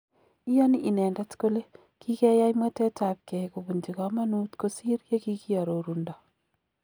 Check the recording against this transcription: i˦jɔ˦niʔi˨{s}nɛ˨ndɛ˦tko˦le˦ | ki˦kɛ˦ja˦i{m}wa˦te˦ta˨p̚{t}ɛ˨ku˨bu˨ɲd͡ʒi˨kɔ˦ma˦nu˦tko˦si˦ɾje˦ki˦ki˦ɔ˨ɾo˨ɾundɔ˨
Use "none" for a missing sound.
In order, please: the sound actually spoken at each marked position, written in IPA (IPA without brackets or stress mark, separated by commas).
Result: none, m, k